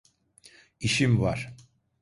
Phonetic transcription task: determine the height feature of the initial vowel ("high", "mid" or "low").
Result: high